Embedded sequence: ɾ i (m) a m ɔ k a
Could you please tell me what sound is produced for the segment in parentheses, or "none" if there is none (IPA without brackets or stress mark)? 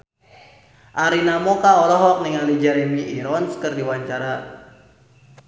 n